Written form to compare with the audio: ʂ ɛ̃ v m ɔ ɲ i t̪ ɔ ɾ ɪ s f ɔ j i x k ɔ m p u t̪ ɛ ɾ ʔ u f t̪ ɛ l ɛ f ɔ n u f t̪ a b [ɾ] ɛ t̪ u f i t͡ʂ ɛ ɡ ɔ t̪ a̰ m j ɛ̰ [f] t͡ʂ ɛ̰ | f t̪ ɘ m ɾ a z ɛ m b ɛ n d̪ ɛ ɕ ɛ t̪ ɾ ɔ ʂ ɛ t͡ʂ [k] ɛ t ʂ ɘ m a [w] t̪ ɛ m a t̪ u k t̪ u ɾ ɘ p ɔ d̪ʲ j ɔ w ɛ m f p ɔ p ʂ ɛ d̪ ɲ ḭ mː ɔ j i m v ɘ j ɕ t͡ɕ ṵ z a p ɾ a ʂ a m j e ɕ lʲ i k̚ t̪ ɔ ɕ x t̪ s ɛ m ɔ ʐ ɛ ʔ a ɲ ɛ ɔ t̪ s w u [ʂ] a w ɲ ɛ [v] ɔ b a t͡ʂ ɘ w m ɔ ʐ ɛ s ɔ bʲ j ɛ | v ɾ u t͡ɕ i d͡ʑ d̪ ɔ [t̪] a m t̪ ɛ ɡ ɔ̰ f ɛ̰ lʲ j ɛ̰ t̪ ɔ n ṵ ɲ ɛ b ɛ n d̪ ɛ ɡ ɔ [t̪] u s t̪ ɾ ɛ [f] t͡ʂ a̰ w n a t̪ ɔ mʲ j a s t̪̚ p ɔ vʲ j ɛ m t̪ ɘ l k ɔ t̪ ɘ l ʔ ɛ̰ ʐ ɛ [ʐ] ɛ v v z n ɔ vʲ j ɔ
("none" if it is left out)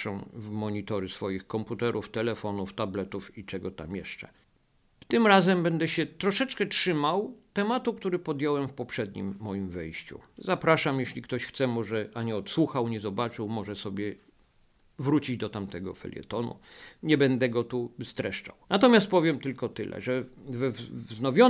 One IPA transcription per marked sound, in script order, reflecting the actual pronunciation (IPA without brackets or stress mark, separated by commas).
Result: l, ʂ, k, w, x, z, t̪, t̪, ʂ, v